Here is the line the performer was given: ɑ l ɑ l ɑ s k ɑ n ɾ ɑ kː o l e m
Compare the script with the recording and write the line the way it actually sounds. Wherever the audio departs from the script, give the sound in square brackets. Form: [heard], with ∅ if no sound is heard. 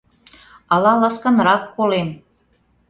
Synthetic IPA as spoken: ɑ l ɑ l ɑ s k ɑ n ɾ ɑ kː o l e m